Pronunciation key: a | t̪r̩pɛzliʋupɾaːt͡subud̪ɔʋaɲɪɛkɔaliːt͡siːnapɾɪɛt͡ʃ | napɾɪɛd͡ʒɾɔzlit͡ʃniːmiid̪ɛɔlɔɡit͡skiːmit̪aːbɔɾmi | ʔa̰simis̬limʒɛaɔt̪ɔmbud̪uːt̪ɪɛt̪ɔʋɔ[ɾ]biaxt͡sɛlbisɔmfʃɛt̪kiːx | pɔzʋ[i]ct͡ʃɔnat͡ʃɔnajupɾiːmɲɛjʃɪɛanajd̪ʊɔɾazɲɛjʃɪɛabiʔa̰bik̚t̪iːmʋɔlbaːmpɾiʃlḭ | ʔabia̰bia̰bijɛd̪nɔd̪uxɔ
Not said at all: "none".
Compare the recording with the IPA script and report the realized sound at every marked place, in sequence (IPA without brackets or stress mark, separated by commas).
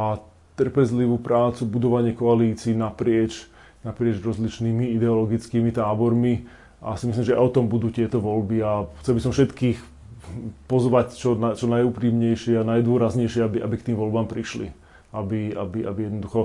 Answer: l, a